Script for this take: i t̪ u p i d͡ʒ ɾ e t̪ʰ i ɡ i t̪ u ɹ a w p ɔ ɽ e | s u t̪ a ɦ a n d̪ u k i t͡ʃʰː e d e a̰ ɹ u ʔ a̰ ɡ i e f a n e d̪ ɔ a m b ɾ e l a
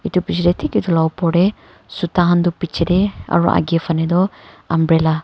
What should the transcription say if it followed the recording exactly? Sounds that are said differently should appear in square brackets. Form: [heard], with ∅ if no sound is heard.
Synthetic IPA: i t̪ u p i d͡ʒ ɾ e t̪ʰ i [k] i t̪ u [l] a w p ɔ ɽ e | s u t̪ a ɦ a n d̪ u [p] i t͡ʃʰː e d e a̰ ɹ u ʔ a̰ ɡ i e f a n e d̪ ɔ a m b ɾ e l a